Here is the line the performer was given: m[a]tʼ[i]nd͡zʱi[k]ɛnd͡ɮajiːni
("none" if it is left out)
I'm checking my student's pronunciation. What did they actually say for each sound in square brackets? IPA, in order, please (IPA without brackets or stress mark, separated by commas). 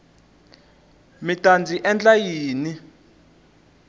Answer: i, a, ʔ